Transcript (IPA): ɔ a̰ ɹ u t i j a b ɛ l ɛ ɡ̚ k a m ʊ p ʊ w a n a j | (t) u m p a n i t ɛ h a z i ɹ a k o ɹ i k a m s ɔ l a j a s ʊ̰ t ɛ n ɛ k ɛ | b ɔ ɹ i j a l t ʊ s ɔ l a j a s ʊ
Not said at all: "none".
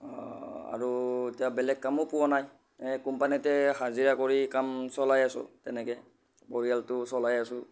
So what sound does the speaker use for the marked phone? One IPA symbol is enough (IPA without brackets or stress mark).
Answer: k